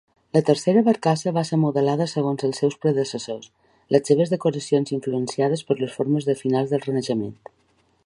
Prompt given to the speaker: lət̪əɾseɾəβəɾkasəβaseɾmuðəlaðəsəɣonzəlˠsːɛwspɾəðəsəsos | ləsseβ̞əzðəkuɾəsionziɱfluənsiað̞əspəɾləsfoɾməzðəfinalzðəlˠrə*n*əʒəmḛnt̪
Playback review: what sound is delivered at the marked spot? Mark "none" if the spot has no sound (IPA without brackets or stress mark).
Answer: n